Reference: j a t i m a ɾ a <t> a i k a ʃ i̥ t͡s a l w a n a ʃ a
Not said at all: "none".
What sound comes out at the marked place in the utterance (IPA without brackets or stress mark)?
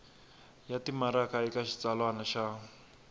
k